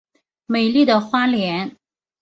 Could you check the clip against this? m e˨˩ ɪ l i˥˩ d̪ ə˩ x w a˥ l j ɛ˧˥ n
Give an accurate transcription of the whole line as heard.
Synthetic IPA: m e˨˩ ɪ l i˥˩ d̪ ə˩ x w a˥ l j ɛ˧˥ n

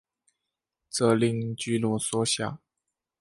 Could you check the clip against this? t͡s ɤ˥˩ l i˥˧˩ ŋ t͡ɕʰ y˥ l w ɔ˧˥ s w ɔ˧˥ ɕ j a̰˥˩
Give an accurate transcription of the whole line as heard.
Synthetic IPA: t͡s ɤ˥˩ l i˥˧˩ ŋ t͡ɕ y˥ l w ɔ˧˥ s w ɔ˥ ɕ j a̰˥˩

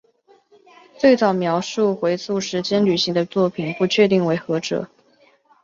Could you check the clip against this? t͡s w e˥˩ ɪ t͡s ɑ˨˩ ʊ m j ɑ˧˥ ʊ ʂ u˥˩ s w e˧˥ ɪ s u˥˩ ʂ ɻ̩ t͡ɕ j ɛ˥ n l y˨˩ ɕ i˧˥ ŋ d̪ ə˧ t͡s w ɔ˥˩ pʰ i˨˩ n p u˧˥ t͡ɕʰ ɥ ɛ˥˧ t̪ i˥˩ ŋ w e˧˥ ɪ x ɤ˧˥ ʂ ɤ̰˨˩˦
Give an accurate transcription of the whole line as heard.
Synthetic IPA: t͡s w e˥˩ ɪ t͡s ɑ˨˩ ʊ m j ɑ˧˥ ʊ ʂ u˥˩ x w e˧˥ ɪ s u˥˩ ʂ ɻ̩ t͡ɕ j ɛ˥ n l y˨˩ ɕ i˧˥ ŋ d̪ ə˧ t͡s w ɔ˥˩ pʰ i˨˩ n p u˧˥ t͡ɕʰ ɥ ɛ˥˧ t̪ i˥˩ ŋ w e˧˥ ɪ x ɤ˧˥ ʈ͡ʂ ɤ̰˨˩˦

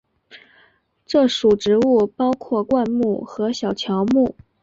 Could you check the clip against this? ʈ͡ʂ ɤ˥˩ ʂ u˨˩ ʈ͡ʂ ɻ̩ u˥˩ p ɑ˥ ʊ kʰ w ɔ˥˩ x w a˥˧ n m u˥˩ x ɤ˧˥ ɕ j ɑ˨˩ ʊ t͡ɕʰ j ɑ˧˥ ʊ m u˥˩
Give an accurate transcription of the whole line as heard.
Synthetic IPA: ʈ͡ʂ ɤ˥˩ ʂ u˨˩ ʈ͡ʂ ɻ̩ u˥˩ p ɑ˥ ʊ kʰ w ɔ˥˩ k w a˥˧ n m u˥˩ x ɤ˧˥ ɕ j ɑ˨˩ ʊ t͡ɕʰ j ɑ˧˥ ʊ m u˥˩

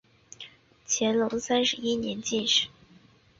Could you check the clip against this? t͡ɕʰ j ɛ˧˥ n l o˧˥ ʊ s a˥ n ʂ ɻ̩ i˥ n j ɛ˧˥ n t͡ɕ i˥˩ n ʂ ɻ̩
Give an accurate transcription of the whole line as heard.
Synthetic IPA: t͡ɕʰ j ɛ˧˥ n l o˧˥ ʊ s a˥ n ʂ ɻ̩ i˥ n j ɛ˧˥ n t͡ɕ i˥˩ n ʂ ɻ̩

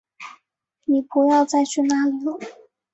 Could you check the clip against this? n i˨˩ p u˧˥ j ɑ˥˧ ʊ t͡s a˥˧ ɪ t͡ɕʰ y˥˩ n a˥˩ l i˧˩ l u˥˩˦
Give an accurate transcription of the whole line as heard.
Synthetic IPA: n i˨˩ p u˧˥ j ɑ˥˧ ʊ t͡s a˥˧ ɪ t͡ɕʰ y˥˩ n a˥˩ l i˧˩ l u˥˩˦

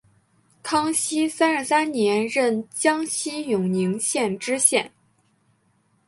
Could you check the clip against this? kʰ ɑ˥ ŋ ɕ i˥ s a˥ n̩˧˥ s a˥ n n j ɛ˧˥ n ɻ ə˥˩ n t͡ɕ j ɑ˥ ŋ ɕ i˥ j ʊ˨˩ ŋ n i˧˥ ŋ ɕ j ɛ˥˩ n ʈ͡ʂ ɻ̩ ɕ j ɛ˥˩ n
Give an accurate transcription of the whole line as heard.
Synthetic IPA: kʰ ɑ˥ ŋ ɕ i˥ s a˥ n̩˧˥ s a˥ n n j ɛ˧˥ n ɻ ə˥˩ n t͡ɕ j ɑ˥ ŋ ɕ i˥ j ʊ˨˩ ŋ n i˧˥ ŋ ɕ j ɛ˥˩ n ʈ͡ʂ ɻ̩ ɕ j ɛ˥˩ n

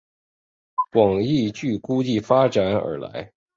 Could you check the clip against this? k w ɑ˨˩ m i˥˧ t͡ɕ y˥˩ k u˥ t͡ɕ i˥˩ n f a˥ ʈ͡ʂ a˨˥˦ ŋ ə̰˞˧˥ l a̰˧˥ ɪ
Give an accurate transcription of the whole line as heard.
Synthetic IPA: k w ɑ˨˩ ŋ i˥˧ t͡ɕ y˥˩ k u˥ t͡ɕ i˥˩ f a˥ ʈ͡ʂ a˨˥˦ n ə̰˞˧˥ l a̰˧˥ ɪ

